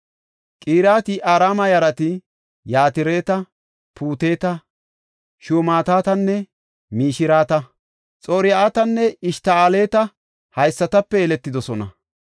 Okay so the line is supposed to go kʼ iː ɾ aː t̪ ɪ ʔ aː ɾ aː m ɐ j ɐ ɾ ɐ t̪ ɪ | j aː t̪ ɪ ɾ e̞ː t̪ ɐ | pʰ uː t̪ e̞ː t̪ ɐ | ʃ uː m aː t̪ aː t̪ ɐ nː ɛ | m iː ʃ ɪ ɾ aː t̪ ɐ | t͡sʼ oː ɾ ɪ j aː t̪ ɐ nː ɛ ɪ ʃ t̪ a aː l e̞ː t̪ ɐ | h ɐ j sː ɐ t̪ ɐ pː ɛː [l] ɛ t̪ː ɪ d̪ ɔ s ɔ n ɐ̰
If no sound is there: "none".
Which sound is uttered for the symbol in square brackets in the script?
l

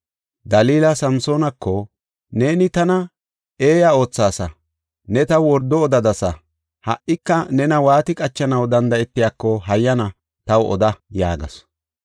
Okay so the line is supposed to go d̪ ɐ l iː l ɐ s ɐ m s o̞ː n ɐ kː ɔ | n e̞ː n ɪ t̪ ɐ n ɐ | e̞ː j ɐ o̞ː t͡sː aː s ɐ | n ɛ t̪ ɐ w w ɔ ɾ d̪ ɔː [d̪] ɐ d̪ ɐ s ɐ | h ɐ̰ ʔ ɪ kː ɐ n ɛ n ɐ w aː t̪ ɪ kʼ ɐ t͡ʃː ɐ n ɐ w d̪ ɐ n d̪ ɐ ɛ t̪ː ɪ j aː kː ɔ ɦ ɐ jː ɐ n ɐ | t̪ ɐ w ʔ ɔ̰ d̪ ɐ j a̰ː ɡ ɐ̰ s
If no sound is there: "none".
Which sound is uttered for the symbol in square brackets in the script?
d̪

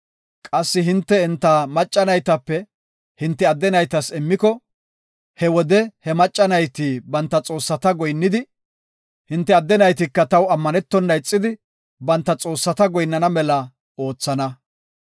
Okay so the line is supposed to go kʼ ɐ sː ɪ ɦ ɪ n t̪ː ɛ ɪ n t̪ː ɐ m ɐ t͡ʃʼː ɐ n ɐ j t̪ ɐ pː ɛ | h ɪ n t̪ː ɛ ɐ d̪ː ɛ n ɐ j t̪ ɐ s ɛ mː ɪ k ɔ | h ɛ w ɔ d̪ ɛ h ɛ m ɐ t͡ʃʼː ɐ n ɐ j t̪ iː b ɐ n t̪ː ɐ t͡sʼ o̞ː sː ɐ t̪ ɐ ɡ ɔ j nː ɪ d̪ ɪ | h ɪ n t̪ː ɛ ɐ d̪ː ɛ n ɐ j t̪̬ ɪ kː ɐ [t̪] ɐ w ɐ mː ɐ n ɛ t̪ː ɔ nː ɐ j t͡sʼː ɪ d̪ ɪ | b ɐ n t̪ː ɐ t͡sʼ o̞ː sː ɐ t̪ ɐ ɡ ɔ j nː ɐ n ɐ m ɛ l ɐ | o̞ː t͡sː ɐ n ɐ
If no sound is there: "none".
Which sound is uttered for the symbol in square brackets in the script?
t̪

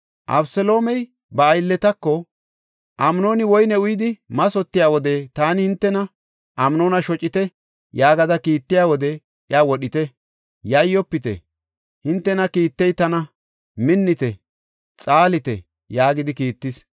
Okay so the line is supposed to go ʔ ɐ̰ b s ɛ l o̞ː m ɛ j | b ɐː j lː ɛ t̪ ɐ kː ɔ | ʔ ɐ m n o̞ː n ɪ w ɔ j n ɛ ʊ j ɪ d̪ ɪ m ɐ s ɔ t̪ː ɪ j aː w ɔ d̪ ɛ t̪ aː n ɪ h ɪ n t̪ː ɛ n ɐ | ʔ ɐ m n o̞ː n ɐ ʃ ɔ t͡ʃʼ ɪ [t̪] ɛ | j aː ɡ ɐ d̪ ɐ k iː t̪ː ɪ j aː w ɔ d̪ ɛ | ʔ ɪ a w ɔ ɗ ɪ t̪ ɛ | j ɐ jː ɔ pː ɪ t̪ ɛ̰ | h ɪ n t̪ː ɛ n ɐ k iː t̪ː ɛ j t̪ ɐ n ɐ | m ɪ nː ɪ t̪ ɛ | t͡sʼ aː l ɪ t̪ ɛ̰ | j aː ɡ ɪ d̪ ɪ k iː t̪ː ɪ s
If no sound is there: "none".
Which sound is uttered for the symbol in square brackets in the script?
t̪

